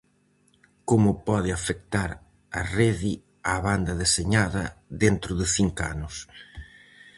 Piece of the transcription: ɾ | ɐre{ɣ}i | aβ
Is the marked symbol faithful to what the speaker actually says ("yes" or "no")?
no